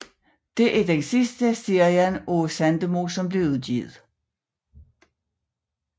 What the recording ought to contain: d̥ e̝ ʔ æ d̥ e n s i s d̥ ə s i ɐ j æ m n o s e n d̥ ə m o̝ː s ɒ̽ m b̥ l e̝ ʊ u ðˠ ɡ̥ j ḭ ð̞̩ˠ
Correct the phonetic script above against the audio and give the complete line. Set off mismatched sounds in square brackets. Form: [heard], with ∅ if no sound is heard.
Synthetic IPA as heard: d̥ e̝ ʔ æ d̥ e n s i s d̥ ə s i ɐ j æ [∅] n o s [æ] n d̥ ə m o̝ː s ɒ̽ m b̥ l e̝ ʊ u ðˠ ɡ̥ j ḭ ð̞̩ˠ